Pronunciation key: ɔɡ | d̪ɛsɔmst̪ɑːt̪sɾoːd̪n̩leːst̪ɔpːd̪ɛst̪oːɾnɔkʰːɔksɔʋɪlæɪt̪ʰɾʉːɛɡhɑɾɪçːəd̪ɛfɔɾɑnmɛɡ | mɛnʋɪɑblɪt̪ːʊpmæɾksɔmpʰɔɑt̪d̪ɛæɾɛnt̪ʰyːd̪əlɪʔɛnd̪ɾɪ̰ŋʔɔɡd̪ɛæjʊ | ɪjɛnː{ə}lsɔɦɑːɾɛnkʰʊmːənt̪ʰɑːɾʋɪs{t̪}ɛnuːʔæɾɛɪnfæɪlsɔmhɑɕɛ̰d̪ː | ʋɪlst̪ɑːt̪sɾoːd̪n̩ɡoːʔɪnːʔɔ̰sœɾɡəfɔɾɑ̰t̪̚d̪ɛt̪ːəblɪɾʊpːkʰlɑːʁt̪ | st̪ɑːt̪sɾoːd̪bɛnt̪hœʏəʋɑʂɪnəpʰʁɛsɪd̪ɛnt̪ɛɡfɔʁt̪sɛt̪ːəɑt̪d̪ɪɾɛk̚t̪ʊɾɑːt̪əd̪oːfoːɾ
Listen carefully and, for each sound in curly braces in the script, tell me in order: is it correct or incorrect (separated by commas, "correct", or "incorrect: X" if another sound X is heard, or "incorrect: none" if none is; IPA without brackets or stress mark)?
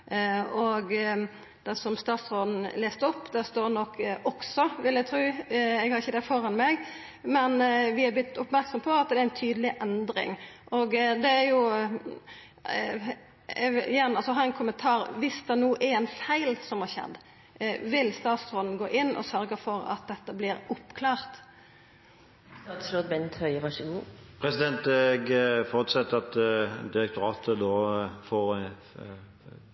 incorrect: ɑ, incorrect: d̪